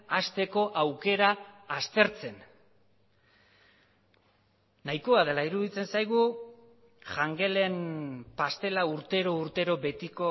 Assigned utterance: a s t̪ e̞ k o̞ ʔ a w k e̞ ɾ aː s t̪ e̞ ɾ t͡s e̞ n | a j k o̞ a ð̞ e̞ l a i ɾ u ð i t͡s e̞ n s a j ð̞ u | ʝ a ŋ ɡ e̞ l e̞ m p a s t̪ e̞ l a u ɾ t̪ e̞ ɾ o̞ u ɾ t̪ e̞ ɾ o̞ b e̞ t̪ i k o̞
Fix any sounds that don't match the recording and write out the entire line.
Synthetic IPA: a s t̪ e̞ k o̞ ʔ a w k e̞ ɾ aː s t̪ e̞ ɾ t͡s e̞ n | a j k o̞ a ð̞ e̞ l a i ɾ u ð i t͡s e̞ n s a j ɣ̞ u | ʝ a ŋ ɡ e̞ l e̞ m p a s t̪ e̞ l a u ɾ t̪ e̞ ɾ o̞ u ɾ t̪ e̞ ɾ o̞ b e̞ t̪ i k o̞

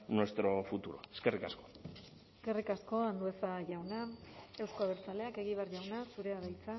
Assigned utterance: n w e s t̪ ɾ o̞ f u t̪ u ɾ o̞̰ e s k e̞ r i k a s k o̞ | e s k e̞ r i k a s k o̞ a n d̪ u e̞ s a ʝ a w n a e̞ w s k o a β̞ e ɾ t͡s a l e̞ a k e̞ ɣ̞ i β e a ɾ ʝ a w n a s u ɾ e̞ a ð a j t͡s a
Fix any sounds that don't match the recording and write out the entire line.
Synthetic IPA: n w e s t̪ ɾ o̞ f u t̪ u ɾ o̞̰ e s k e̞ r i k a s k o̞ | e s k e̞ r i k a s k o̞ a n d̪ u e̞ s a ʝ a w n a e̞ w s k o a β̞ e ɾ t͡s a l e̞ a k e̞ ɣ̞ i β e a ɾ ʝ a w n a s u ɾ e̞ a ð a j t͡s a

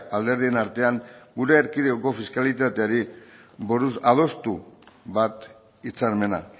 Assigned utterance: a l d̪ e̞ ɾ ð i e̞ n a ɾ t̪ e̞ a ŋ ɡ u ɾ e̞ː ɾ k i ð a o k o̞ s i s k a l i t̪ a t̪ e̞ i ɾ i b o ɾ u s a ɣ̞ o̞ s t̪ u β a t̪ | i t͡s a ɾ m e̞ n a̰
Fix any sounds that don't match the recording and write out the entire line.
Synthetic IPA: a l d̪ e̞ ɾ ð i e̞ n a ɾ t̪ e̞ a ŋ ɡ u ɾ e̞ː ɾ k i ð e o k o̞ f i s k a l i t̪ a t̪ e̞ a ɾ i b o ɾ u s a ð̞ o̞ s t̪ u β a t̪ | i t͡s a ɾ m e̞ n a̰

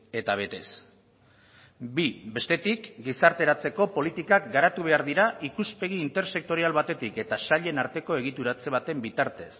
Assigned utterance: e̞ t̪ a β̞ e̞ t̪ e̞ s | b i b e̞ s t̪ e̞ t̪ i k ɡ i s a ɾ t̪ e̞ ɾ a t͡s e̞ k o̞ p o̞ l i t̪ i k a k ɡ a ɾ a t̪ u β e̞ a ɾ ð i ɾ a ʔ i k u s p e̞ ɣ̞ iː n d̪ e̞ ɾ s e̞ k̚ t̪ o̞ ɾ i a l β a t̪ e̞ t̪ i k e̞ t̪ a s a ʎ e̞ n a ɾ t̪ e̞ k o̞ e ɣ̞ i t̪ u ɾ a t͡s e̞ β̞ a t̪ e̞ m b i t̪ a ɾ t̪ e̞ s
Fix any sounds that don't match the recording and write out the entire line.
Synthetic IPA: e̞ t̪ a β̞ e̞ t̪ e̞ s | b i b e̞ s t̪ e̞ t̪ i k ɡ i s a ɾ t̪ e̞ ɾ a t͡s e̞ k o̞ p o̞ l i t̪ i k a k ɡ a ɾ a t̪ u β e̞ a ɾ ð i ɾ a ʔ i k u s p e̞ ɣ̞ iː n t̪ e̞ ɾ s e̞ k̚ t̪ o̞ ɾ i a l β a t̪ e̞ t̪ i k e̞ t̪ a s a ʎ e̞ n a ɾ t̪ e̞ k o̞ e ɣ̞ i t̪ u ɾ a t͡s e̞ β̞ a t̪ e̞ m b i t̪ a ɾ t̪ e̞ s

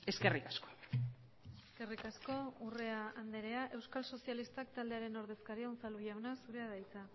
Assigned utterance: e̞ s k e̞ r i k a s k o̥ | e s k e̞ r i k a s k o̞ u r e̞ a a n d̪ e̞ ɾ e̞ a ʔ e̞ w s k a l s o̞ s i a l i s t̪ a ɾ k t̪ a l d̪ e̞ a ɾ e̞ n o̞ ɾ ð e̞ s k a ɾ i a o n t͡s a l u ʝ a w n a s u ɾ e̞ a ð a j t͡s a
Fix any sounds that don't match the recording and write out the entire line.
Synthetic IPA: e̞ s k e̞ r i k a s k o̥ | e s k e̞ r i k a s k o̞ u r e̞ a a n d̪ e̞ ɾ e̞ a ʔ e̞ w s k a l s o̞ s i a l i s t̪ a k t̪ a l d̪ e̞ a ɾ e̞ n o̞ ɾ ð e̞ s k a ɾ i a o n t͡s a l u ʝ a w n a s u ɾ e̞ a ð a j t͡s a

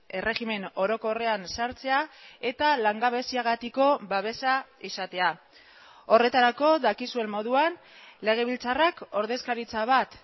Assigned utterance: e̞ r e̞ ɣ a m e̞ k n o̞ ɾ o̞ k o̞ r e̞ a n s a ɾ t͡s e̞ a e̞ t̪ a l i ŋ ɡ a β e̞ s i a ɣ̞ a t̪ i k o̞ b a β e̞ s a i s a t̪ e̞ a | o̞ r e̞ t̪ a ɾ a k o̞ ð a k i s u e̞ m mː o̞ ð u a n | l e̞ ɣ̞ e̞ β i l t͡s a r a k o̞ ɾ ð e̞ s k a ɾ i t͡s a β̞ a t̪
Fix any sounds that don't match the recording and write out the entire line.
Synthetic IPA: e̞ r e̞ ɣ i m e̞ n o̞ ɾ o̞ k o̞ r e̞ a n s a ɾ t͡s e̞ a e̞ t̪ a l a ŋ ɡ a β e̞ s i a ɣ̞ a t̪ i k o̞ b a β e̞ s a i s a t̪ e̞ a | o̞ r e̞ t̪ a ɾ a k o̞ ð a k i s u e̞ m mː o̞ ð u a n | l e̞ ɣ̞ e̞ β i l t͡s a r a k o̞ ɾ ð e̞ s k a ɾ i t͡s a β̞ a t̪

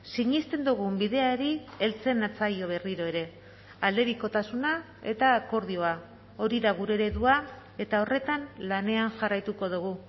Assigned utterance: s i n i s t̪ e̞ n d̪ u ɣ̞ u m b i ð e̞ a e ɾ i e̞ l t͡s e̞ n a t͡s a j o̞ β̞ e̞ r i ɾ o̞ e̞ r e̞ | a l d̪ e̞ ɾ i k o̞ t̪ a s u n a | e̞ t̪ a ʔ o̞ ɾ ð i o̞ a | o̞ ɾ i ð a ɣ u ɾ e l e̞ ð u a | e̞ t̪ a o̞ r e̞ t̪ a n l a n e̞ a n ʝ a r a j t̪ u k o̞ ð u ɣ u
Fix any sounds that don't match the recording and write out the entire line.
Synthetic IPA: s i ɲ i s t̪ e̞ n d̪ u ɣ̞ u m b i ð e̞ a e ɾ i e̞ l t͡s e̞ n a t͡s a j o̞ β̞ e̞ r i ɾ o̞ e̞ ɾ e̞ | a l d̪ e̞ ɾ i k o̞ t̪ a s u n a | e̞ t̪ a k o̞ ɾ ð i o̞ a | o̞ ɾ i ð a ɣ u ɾ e ɾ e̞ ð u a | e̞ t̪ a o̞ r e̞ t̪ a n l a n e̞ a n ʝ a r a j t̪ u k o̞ ð u ɣ u

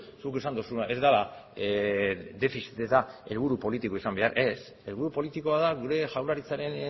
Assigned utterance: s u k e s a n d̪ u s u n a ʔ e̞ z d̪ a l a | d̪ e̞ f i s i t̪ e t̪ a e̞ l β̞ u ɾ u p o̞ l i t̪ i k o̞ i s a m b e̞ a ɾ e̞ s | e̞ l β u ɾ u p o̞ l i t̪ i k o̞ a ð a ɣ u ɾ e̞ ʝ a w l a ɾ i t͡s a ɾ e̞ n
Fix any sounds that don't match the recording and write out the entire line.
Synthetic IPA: s u k e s a n d̪ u s u n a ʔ e̞ z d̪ a l a | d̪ e̞ f i s i t̪ e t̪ a e̞ l β̞ u ɾ u p o̞ l i t̪ i k o̞ i s a m b e̞ a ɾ e̞ s | e̞ l β u ɾ u p o̞ l i t̪ i k o̞ a ð a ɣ u ɾ e̞ ʝ a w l a ɾ i t͡s a ɾ e̞ n

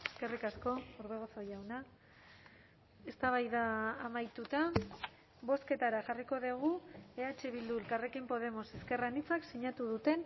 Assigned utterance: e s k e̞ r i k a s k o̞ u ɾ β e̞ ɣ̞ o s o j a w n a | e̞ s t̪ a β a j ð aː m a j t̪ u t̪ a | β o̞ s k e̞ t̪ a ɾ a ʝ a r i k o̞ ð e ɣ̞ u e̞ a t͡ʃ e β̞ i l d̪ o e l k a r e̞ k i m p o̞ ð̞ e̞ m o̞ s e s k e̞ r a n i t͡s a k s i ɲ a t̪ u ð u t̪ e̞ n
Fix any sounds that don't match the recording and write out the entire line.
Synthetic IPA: e s k e̞ r i k a s k o̞ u ɾ β e̞ ɣ̞ o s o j a w n a | e̞ s t̪ a β a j ð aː m a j t̪ u t̪ a | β o̞ s k e̞ t̪ a ɾ a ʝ a r i k o̞ ð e ɣ̞ u e̞ a t͡ʃ e β̞ i l d̪ u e l k a r e̞ k i m p o̞ ð̞ e̞ m o̞ s e s k e̞ r a n i t͡s a k s i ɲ a t̪ u ð u t̪ e̞ n

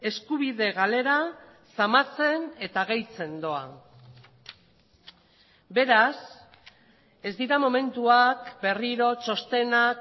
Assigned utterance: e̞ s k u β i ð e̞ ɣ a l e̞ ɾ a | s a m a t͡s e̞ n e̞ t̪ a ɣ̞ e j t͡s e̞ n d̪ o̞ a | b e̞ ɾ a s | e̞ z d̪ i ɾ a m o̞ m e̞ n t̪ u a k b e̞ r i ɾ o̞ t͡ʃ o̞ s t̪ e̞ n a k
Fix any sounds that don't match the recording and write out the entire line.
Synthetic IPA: e̞ s k u β i ð e̞ ɣ a l e̞ ɾ a | s a m a t͡s e̞ n e̞ t̪ a ɣ̞ e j t͡s e̞ n d̪ o̞ a | b e̞ ɾ a s | e̞ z d̪ i ɾ a m o̞ m e̞ n t̪ u a k b e̞ r i ɾ o̞ t͡ʃ o̞ s t̪ e̞ n a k

